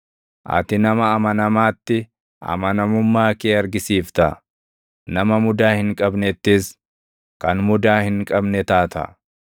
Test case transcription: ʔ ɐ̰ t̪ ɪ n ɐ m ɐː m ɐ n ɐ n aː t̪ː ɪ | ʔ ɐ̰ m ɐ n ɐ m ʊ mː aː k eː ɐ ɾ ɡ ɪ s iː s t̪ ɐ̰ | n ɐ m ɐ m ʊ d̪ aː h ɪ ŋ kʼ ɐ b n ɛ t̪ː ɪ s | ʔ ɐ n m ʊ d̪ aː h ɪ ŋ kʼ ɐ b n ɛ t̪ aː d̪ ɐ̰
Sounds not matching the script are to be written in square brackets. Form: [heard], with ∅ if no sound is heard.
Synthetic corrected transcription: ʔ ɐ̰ t̪ ɪ n ɐ m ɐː m ɐ n ɐ [m] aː t̪ː ɪ | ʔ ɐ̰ m ɐ n ɐ m ʊ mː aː k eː ɐ ɾ ɡ ɪ s iː [f] t̪ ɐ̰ | n ɐ m ɐ m ʊ d̪ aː h ɪ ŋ kʼ ɐ b n ɛ t̪ː ɪ s | [k] ɐ n m ʊ d̪ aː h ɪ ŋ kʼ ɐ b n ɛ t̪ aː [t̪] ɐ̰